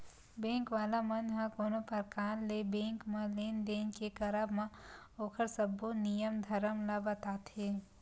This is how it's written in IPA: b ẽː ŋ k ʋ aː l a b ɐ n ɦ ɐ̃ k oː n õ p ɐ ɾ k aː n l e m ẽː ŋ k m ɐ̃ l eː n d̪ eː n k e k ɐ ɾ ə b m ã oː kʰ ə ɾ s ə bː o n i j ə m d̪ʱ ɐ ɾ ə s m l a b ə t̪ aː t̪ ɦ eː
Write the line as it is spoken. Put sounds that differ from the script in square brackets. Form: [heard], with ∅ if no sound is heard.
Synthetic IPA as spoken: b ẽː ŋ k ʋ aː l a [m] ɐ n ɦ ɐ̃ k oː n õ p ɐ ɾ k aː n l e [b] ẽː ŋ k m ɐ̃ l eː n d̪ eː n k e k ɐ ɾ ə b m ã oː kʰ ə ɾ s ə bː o n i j ə m d̪ʱ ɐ ɾ ə [∅] m l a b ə t̪ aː t̪ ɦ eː